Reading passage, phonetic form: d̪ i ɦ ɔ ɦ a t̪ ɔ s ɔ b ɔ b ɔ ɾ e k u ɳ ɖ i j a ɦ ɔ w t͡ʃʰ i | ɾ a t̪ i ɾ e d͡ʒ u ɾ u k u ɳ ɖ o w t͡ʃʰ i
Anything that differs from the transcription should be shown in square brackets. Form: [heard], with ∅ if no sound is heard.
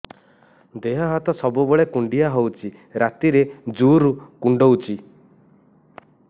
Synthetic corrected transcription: d̪ [e] ɦ ɔ ɦ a t̪ ɔ s ɔ b [u] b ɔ [ɭ] e k u ɳ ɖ i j a ɦ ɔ w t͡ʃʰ i | ɾ a t̪ i ɾ e d͡ʒ u ɾ u k u ɳ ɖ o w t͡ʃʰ i